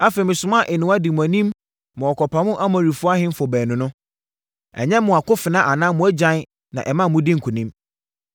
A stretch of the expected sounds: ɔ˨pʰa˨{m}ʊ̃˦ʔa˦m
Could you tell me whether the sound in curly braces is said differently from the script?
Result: no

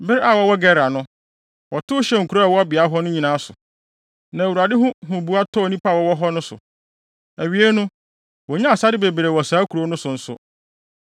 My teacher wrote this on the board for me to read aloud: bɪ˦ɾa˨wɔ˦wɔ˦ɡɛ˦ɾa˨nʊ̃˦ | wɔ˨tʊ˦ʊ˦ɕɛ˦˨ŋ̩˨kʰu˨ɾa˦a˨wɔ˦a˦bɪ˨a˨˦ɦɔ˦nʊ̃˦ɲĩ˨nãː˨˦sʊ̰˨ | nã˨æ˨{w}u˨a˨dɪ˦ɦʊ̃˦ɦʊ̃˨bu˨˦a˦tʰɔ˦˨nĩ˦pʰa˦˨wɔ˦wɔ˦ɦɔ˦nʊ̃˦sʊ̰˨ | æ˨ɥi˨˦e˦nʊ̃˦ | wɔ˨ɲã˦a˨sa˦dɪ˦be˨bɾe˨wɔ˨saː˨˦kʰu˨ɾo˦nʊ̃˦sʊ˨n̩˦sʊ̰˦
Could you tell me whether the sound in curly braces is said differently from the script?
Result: no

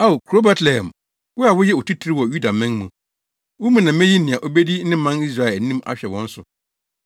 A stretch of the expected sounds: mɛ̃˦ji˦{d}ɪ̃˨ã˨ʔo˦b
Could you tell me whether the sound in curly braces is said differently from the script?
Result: yes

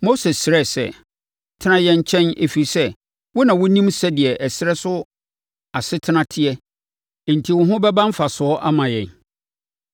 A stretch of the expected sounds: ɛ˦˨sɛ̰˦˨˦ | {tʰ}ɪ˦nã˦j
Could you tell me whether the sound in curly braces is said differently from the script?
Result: no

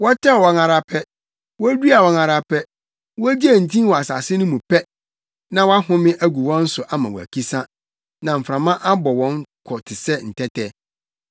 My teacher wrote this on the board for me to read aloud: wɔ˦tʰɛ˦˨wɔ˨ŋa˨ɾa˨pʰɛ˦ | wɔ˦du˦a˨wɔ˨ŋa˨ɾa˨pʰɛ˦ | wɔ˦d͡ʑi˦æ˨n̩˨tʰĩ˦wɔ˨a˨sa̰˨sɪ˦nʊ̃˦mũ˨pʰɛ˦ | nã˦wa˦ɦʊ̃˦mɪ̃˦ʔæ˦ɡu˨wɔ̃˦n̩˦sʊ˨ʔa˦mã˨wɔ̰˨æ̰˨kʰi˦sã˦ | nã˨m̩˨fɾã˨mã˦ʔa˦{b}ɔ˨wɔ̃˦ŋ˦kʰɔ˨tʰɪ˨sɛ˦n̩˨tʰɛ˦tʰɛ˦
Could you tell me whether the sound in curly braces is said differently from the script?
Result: no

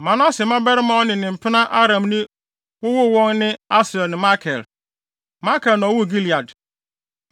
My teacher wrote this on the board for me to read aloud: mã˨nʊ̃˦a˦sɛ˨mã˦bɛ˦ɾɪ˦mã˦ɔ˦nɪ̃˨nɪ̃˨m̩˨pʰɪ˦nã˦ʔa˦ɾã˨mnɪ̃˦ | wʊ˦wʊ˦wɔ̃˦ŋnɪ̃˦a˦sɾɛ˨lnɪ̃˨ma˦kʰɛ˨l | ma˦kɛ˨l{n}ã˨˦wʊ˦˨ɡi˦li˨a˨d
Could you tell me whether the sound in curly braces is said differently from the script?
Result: no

